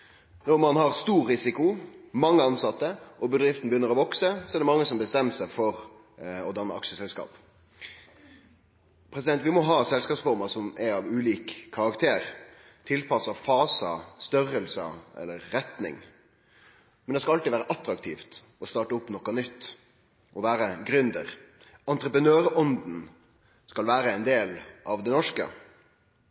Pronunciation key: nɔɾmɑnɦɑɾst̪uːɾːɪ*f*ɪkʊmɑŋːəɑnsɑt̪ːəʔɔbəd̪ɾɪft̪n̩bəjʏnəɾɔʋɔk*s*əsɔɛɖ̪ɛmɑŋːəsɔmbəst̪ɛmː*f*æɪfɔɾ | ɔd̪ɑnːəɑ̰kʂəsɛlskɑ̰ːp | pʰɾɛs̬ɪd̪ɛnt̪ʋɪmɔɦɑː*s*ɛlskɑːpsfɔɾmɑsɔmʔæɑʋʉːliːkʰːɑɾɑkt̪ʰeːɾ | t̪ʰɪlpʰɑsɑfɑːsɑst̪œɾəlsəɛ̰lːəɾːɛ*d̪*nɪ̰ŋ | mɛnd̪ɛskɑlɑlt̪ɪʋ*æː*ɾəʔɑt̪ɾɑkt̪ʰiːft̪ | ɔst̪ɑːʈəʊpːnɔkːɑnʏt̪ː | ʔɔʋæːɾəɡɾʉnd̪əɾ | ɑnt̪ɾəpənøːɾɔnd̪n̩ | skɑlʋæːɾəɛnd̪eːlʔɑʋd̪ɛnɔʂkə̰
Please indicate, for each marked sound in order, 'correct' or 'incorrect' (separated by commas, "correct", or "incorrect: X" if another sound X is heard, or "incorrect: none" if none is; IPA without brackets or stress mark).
incorrect: s, correct, incorrect: s, correct, incorrect: t̪, correct